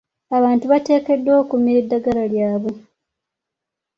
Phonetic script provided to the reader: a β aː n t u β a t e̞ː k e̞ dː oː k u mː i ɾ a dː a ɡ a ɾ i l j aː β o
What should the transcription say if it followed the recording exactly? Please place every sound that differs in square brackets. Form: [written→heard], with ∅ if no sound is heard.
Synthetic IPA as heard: a β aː n t u β a t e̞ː k e̞ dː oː k u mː i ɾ [a→i] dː a ɡ a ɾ [i→a] l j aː β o